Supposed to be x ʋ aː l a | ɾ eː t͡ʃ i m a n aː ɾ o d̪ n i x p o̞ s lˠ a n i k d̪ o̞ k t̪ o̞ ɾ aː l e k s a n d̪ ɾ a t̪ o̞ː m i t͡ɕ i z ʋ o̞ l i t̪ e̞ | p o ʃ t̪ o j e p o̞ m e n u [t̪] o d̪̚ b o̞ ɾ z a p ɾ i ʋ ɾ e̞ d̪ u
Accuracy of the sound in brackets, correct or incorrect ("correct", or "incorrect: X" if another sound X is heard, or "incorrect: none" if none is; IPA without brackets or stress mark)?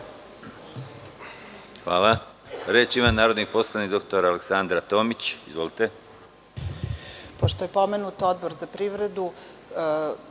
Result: correct